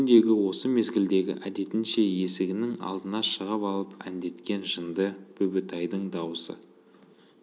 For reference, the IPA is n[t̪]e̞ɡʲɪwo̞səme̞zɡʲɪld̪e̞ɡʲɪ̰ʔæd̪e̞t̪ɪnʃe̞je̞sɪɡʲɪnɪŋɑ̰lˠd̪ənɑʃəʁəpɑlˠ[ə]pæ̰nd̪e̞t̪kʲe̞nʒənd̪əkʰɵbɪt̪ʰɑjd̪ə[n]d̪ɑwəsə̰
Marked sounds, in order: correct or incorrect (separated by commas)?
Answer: incorrect, correct, incorrect